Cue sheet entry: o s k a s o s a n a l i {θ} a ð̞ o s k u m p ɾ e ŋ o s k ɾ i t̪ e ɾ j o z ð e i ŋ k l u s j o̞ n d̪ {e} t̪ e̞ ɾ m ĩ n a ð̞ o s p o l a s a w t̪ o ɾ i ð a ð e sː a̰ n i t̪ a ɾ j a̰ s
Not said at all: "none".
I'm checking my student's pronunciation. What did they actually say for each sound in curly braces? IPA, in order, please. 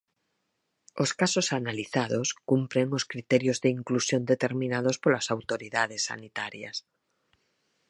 θ, e

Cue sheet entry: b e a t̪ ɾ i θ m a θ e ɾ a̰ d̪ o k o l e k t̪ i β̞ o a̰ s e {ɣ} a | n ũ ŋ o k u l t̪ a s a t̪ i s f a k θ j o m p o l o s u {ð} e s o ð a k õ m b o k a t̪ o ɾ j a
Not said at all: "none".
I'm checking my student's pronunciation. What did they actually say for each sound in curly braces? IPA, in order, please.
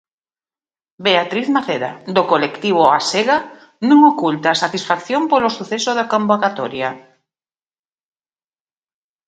ɣ, θ

